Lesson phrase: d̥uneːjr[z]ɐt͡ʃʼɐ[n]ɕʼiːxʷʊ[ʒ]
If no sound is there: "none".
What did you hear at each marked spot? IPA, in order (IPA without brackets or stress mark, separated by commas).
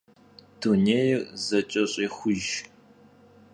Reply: z, none, ʒ